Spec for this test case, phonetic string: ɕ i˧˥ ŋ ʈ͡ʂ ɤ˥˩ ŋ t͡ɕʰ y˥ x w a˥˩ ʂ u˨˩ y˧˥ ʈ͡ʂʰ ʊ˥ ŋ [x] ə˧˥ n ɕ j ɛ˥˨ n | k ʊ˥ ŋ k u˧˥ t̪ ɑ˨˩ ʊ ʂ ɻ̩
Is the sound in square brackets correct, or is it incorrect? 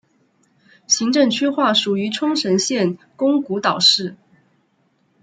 incorrect